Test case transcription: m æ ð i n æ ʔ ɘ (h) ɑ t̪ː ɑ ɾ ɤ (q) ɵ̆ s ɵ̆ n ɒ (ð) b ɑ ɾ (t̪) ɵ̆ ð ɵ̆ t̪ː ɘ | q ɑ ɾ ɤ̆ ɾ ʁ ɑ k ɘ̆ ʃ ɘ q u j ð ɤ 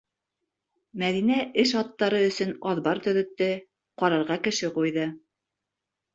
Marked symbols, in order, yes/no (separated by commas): no, no, yes, yes